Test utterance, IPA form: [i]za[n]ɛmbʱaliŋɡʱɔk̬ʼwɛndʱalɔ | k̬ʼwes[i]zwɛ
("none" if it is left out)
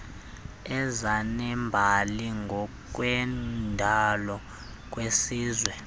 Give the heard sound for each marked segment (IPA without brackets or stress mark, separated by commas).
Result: ɛ, n, iː